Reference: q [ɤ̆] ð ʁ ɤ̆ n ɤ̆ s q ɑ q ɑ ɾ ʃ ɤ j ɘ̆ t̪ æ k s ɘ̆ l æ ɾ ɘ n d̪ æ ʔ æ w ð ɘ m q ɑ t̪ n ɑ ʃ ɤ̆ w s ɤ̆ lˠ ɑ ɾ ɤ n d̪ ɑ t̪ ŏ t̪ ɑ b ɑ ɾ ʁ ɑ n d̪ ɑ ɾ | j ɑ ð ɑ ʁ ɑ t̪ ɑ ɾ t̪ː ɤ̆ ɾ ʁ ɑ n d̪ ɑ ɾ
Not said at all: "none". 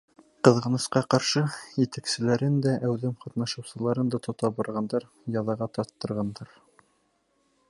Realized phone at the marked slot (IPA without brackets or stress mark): ɤ̆